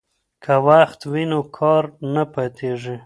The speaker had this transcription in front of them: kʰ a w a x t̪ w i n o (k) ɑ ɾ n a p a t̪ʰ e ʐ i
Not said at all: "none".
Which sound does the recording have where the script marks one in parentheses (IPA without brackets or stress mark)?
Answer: kʰ